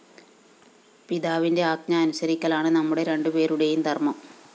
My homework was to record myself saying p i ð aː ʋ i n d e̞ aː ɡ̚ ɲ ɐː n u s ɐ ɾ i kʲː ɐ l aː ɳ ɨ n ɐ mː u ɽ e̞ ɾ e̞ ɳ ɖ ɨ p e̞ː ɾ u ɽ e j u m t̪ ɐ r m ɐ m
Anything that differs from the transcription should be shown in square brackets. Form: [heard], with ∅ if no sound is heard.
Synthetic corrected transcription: p i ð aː ʋ i n d e̞ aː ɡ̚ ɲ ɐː n u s ɐ ɾ i kʲː ɐ l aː ɳ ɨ n ɐ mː u ɽ e̞ ɾ e̞ ɳ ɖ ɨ p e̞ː ɾ u ɽ e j u m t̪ ɐ r m ɐ m